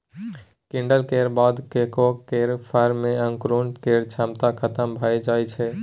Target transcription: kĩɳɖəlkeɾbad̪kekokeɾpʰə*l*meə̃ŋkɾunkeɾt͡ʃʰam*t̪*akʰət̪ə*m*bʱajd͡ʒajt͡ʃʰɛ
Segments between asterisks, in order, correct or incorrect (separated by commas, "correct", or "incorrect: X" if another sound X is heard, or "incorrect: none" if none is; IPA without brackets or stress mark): incorrect: ɾ, correct, correct